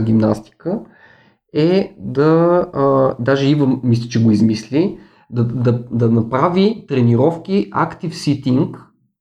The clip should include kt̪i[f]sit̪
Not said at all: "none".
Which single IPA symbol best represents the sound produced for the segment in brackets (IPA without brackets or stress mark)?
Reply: f